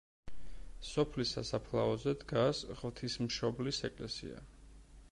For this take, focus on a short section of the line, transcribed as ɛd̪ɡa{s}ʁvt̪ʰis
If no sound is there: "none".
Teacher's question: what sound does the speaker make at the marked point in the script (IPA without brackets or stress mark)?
s